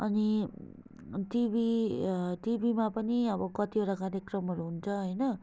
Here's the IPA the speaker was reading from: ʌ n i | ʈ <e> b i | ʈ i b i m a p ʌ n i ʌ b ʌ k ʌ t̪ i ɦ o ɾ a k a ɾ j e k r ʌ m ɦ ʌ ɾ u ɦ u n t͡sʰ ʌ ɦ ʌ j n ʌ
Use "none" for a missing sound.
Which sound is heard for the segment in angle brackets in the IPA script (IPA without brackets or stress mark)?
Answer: i